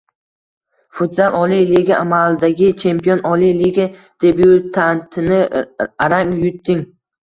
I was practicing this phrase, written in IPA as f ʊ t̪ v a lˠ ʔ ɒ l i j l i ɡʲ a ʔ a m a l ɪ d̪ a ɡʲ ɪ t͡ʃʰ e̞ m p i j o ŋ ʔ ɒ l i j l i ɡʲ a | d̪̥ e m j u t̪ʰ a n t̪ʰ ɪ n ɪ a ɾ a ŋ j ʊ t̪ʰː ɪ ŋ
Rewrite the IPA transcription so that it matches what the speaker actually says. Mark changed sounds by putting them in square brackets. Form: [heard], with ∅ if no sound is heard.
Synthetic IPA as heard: f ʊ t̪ [z] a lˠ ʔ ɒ l i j l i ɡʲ a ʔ a m a l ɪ d̪ a ɡʲ ɪ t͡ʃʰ e̞ m p i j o [n] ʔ ɒ l i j l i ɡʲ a | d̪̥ e [b] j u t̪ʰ a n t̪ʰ ɪ n ɪ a ɾ a ŋ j ʊ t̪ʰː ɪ ŋ

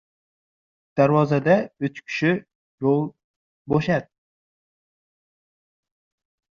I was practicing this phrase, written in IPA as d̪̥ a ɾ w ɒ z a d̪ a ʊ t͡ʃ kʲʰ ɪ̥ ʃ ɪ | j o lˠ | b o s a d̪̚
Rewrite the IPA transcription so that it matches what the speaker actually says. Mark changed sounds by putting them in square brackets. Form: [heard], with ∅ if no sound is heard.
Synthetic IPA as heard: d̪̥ a ɾ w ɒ z a d̪ a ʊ t͡ʃ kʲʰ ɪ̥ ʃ ɪ | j o lˠ | b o [ʃ] a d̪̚

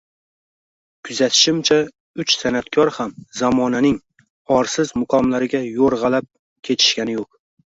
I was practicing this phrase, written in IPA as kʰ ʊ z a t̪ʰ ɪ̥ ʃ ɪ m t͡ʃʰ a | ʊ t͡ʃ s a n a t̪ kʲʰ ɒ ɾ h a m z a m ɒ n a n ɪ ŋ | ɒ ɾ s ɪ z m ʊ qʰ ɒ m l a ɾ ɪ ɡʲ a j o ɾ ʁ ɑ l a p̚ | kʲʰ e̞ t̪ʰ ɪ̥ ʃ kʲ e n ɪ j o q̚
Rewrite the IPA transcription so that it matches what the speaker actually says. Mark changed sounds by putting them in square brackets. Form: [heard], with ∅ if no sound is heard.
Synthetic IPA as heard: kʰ ʊ z a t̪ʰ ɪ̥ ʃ ɪ m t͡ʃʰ a | ʊ t͡ʃ s a n a t̪ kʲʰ ɒ ɾ h a m z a m ɒ n a n ɪ ŋ | ɒ ɾ s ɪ z m ʊ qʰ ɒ m l a ɾ ɪ ɡʲ a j o ɾ ʁ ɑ l a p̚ | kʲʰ e̞ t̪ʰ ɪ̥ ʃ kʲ [a] n ɪ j o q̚

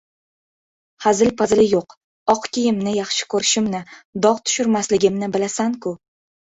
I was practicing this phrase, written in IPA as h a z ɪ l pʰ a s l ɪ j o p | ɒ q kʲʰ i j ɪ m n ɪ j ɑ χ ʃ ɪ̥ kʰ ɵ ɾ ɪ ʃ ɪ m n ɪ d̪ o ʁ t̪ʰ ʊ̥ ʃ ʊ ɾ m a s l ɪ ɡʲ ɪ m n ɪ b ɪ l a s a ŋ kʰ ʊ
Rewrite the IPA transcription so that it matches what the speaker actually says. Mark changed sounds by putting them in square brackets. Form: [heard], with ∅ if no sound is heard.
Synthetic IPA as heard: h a z ɪ l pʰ a [z] l ɪ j o [q] | ɒ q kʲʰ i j ɪ m n ɪ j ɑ χ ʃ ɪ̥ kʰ ɵ ɾ ɪ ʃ ɪ m n ɪ d̪ [ɒ] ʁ t̪ʰ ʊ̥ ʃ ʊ ɾ m a s l ɪ ɡʲ ɪ m n ɪ b ɪ l a s a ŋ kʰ ʊ

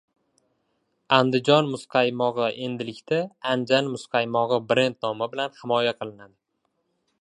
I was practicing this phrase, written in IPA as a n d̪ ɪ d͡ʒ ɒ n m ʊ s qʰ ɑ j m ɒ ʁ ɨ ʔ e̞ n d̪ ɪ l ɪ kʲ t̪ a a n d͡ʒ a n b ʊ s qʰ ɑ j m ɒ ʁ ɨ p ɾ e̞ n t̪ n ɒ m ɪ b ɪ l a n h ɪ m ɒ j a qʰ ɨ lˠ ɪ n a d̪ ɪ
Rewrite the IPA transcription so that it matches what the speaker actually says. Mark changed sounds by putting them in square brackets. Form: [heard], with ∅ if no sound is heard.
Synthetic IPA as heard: a n d̪ ɪ d͡ʒ ɒ n m ʊ s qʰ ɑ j m ɒ ʁ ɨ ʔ e̞ n d̪ ɪ l ɪ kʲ t̪ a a n d͡ʒ a n [m] ʊ s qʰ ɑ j m ɒ ʁ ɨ [b] ɾ e̞ n t̪ n ɒ m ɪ b ɪ l a n h ɪ m ɒ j a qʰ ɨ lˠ ɪ n a d̪ ɪ

